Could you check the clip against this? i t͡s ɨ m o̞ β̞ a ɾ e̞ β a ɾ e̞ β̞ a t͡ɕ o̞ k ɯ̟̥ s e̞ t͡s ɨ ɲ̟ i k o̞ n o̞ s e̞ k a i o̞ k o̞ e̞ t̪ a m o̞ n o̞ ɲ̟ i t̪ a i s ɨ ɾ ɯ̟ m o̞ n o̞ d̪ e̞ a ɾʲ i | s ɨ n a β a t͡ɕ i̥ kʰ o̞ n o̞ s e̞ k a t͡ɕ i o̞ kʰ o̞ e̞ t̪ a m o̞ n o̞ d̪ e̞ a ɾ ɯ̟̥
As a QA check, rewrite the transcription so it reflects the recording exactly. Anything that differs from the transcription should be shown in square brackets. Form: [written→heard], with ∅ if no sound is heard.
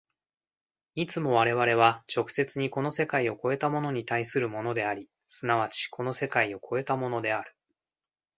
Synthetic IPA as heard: i t͡s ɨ m o̞ β̞ a ɾ e̞ β a ɾ e̞ β̞ a t͡ɕ o̞ k ɯ̟̥ s e̞ t͡s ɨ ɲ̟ i k o̞ n o̞ s e̞ k a i o̞ k o̞ e̞ t̪ a m o̞ n o̞ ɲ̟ i t̪ a i s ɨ ɾ ɯ̟ m o̞ n o̞ d̪ e̞ a ɾʲ i | s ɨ n a β a t͡ɕ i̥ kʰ o̞ n o̞ s e̞ k a [t͡ɕ→∅] i o̞ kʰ o̞ e̞ t̪ a m o̞ n o̞ d̪ e̞ a ɾ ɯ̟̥